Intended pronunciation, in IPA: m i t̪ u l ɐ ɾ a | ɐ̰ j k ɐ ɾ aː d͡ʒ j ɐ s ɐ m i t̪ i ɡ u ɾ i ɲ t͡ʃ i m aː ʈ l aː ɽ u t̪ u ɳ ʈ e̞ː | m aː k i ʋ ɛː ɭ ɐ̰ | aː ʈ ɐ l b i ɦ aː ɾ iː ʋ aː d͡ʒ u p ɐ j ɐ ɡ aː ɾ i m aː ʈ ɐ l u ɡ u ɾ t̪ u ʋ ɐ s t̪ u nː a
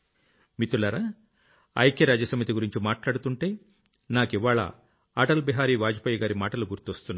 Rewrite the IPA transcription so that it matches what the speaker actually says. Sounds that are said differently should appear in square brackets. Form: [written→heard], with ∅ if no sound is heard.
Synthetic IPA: m i t̪ u l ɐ ɾ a | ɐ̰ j k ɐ ɾ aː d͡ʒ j ɐ s ɐ m i t̪ i ɡ u ɾ i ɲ t͡ʃ i m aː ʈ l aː ɽ u t̪ u ɳ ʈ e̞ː | [m→n] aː k i ʋ [ɛː→aː] ɭ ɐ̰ | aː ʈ ɐ l b i ɦ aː ɾ iː ʋ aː d͡ʒ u p ɐ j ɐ ɡ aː ɾ i m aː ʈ ɐ l u ɡ u ɾ t̪ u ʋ ɐ s t̪ u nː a